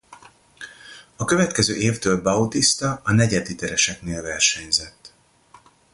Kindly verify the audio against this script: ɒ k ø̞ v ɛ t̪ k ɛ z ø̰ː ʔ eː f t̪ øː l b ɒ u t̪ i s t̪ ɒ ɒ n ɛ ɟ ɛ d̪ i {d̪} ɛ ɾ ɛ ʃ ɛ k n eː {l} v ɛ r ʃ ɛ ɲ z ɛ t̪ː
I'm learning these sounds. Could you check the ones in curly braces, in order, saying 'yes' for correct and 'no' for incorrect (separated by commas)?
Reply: no, yes